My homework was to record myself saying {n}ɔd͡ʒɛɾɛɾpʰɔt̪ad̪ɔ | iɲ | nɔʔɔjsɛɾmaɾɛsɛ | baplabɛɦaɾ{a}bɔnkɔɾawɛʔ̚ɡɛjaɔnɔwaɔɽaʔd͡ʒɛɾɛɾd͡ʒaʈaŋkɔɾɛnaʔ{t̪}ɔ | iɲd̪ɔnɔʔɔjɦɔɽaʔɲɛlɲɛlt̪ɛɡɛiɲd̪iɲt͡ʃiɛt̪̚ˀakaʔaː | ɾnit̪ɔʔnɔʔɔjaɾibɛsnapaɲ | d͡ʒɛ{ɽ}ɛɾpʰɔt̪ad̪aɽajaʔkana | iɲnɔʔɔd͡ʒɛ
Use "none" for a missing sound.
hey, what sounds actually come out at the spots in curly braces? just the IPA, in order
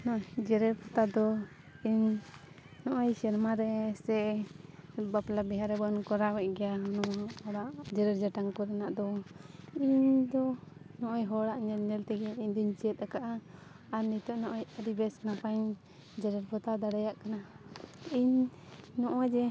n, ɛ, d̪, ɾ

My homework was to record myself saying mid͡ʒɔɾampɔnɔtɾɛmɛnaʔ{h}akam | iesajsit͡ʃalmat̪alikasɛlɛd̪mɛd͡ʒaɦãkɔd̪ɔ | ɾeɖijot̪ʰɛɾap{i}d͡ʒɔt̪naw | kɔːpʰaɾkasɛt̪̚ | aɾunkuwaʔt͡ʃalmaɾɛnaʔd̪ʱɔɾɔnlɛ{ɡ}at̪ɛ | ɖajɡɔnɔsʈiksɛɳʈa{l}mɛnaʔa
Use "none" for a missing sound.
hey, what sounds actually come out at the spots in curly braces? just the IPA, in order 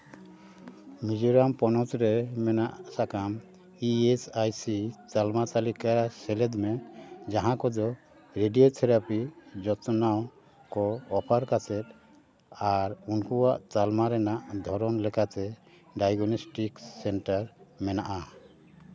s, i, k, ɾ

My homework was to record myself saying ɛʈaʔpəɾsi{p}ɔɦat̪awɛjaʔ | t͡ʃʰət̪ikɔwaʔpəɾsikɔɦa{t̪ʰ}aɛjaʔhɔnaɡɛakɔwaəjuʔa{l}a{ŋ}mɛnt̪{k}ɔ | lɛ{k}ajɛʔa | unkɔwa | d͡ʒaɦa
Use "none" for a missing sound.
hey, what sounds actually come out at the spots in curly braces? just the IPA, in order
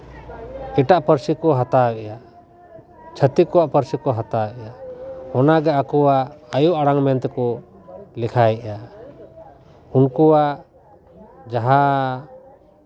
k, t̪, ɽ, ŋ, k, kʰ

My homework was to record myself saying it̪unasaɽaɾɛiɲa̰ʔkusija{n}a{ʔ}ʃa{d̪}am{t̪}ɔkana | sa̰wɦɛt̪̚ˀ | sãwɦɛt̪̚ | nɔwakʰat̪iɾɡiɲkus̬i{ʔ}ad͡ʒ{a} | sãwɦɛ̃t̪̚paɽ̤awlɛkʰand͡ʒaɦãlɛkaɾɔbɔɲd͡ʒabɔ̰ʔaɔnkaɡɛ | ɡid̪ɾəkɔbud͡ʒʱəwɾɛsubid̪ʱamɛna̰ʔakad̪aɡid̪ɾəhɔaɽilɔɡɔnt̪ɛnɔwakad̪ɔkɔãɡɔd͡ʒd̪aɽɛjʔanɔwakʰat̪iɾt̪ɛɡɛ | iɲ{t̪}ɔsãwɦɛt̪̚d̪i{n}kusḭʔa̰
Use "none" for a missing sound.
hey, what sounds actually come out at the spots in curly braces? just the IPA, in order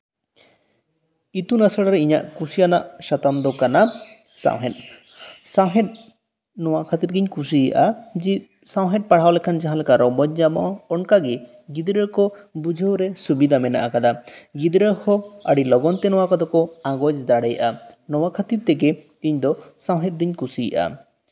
n, ʔ, t̪, d̪, ʔ, i, d̪, ɲ

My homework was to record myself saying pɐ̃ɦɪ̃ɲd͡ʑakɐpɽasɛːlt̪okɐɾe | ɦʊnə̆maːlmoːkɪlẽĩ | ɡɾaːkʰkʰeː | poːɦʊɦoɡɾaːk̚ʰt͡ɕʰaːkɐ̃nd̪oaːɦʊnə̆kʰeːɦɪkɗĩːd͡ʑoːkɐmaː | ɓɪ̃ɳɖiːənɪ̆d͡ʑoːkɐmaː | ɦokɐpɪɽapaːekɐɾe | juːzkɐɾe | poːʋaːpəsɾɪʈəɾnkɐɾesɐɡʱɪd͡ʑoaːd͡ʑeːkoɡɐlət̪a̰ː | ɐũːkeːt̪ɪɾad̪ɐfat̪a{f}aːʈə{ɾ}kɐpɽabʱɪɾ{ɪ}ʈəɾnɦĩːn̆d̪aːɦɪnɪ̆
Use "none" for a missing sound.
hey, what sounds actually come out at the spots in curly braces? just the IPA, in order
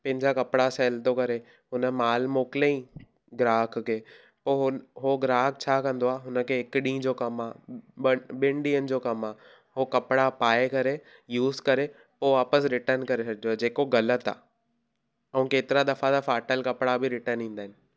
f, l, ɪ

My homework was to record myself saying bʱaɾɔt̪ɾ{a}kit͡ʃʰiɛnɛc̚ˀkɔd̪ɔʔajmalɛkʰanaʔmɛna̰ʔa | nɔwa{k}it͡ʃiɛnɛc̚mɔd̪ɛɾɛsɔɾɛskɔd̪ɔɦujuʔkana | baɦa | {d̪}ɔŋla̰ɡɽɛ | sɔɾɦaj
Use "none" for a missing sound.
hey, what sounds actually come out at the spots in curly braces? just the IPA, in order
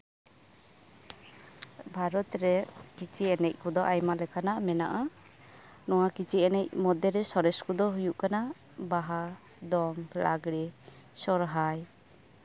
ɛ, k, d̪

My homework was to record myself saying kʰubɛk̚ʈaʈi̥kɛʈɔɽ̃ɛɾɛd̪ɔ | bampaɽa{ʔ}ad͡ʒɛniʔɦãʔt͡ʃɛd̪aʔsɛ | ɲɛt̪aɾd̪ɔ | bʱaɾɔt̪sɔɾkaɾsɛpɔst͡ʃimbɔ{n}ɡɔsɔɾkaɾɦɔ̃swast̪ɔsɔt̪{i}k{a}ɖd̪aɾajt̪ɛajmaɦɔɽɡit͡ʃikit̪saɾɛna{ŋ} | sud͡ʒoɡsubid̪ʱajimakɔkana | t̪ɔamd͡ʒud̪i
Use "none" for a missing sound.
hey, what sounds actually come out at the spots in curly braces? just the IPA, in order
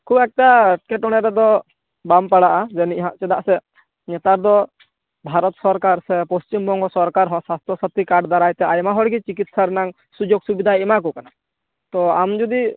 ʔ, ŋ, i, a, ŋ

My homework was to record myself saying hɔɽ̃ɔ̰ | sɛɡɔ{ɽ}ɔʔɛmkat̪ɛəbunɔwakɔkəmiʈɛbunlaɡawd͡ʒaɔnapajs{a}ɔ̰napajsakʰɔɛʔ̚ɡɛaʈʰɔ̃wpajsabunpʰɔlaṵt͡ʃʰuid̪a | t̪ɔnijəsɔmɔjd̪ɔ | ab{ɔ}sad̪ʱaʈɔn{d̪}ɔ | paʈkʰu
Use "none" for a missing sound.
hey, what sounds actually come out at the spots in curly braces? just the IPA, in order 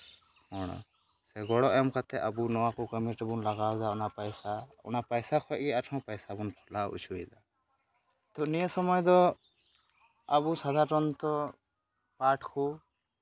ɽ, a, u, t̪

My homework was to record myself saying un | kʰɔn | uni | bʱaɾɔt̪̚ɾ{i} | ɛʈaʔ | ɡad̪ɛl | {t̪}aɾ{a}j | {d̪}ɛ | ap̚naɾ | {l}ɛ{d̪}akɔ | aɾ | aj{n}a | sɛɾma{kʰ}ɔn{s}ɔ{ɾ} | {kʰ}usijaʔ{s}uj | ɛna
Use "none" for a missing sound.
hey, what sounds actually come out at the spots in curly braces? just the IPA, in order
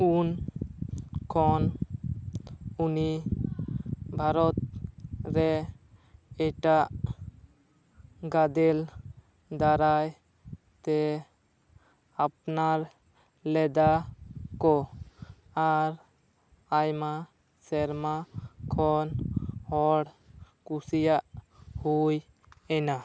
ɛ, d̪, a, t̪, l, d̪, m, kʰ, h, ɽ, k, h

